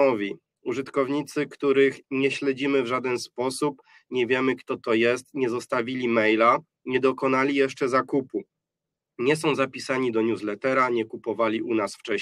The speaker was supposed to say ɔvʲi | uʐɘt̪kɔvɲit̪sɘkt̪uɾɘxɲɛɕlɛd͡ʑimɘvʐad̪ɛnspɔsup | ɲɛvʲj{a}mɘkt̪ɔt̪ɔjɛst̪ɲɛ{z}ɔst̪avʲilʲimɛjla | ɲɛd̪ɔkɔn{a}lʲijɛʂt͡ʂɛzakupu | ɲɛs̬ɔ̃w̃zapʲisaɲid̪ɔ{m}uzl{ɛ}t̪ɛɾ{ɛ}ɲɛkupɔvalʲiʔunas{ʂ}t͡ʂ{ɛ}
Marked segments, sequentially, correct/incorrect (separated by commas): incorrect, correct, correct, incorrect, correct, incorrect, incorrect, correct